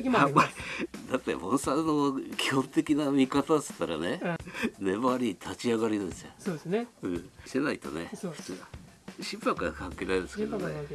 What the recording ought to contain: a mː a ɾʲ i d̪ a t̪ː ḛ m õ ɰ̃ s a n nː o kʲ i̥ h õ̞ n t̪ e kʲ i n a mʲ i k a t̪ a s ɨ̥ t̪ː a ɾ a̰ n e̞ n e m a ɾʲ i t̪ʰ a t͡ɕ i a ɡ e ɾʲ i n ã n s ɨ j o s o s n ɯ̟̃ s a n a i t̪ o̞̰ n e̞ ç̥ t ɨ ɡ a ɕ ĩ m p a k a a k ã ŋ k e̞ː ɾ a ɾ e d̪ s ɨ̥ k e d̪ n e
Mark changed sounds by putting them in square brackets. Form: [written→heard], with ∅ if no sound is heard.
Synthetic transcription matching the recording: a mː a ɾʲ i d̪ a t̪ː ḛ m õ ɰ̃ s a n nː o kʲ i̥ h õ̞ n t̪ e kʲ i n a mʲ i k a t̪ a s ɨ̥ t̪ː a ɾ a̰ n e̞ n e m a ɾʲ i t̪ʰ a t͡ɕ i a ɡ [e→a] ɾʲ i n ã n s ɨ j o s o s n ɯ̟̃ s [a→e] n a i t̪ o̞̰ n e̞ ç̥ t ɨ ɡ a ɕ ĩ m p a k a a k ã ŋ k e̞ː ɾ a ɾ e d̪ s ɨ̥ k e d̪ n e